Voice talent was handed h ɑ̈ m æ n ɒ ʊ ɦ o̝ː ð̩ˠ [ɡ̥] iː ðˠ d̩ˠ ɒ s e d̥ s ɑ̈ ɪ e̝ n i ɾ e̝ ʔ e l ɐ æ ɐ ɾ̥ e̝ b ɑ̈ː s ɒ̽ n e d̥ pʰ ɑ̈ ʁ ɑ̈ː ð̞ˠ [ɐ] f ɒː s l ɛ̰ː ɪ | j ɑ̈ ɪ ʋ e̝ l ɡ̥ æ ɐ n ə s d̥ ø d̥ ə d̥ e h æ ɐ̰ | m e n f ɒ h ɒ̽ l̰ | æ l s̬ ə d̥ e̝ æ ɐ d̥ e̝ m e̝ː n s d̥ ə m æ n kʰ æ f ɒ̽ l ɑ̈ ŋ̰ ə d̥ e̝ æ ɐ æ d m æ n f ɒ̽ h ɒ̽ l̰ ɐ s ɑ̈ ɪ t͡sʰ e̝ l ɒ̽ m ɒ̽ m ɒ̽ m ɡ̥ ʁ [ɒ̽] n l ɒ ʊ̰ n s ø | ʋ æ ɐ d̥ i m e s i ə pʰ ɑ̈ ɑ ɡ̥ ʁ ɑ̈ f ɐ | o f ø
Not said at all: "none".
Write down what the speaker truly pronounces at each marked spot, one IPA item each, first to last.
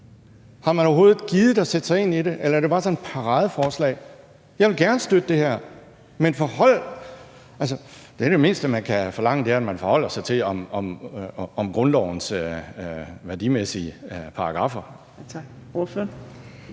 ɡ̥, ə, ɔ̽

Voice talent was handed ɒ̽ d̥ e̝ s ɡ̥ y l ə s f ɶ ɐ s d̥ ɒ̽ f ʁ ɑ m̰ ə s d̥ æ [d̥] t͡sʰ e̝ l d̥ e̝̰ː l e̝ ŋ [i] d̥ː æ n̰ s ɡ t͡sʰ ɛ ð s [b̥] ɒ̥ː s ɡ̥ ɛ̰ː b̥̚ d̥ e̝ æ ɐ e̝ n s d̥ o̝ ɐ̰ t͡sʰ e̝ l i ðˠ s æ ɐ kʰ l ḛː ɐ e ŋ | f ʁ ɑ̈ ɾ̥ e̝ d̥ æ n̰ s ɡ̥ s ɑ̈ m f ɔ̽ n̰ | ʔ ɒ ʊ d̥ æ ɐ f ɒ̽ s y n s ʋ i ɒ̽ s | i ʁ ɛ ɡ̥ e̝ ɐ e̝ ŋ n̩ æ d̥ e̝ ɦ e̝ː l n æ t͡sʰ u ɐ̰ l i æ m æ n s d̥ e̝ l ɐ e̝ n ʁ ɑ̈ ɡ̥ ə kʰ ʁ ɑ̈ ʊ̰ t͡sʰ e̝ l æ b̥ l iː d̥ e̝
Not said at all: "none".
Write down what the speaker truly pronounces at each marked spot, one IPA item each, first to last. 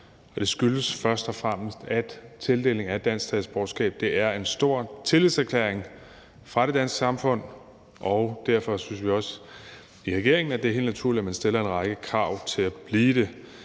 d̥, æ, b̥

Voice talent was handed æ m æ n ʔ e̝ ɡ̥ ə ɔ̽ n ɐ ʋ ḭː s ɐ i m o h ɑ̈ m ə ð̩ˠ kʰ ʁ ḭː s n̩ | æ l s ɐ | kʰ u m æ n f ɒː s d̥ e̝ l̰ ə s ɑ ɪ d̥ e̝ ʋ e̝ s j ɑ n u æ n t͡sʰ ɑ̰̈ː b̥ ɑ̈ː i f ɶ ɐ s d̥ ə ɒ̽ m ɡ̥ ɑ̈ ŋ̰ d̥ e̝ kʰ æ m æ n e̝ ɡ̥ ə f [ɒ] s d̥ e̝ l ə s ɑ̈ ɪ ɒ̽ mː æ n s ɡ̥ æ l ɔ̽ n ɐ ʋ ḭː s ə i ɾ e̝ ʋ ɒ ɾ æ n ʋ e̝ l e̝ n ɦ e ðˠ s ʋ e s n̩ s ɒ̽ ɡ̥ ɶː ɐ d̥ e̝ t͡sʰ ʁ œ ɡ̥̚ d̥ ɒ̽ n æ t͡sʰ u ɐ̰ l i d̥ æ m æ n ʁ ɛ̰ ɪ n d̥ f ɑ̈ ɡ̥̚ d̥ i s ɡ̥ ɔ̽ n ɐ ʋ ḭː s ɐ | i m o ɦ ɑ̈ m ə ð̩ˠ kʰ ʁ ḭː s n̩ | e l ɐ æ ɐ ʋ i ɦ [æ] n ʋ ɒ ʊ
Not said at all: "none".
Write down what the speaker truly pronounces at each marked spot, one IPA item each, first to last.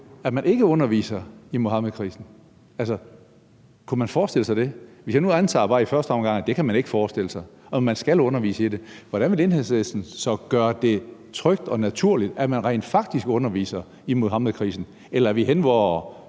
ɒː, e

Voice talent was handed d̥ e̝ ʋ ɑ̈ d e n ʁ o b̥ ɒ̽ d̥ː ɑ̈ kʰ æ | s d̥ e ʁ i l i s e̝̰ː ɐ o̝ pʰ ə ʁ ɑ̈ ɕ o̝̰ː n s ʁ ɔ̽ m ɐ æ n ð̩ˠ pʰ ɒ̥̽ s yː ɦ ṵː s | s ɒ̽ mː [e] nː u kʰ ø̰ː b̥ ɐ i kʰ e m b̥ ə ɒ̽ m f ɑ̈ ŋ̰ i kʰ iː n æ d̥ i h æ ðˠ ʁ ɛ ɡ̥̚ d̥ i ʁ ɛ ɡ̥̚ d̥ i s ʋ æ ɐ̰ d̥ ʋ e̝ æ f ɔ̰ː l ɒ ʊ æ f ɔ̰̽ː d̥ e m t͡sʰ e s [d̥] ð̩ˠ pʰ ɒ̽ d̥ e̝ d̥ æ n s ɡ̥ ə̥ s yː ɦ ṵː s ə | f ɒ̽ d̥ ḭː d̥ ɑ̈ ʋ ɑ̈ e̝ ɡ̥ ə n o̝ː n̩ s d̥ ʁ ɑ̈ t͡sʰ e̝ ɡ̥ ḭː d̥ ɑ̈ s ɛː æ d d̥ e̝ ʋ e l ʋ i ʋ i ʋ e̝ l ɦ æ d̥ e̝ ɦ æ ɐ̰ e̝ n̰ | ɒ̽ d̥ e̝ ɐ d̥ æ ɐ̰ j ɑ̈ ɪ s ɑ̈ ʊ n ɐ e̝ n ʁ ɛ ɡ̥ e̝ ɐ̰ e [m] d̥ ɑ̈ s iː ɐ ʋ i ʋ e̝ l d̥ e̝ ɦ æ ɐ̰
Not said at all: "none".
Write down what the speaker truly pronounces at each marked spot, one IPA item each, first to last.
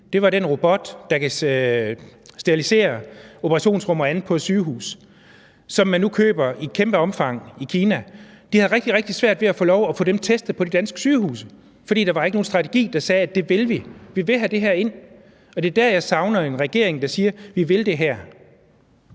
æ, d̥, ŋ

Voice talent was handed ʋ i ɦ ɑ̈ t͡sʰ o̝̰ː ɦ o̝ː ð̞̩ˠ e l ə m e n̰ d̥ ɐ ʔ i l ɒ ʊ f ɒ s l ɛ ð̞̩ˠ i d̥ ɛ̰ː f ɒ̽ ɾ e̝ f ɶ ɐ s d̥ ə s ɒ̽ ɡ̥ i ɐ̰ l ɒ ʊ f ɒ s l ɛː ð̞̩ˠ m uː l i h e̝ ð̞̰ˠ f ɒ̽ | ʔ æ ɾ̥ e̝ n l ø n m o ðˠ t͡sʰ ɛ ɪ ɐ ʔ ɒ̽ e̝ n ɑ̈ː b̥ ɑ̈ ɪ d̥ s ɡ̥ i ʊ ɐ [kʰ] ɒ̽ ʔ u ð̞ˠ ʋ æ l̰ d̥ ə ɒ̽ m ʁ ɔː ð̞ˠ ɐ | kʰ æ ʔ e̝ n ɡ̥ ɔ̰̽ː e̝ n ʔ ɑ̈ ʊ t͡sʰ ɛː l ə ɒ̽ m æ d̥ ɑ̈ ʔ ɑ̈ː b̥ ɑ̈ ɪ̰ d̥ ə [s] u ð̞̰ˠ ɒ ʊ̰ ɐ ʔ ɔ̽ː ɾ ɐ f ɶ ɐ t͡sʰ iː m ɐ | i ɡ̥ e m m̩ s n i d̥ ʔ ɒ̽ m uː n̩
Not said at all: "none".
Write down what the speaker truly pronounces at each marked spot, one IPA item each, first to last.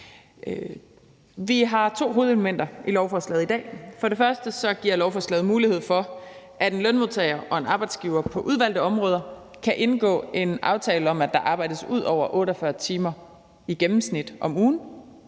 pʰ, s

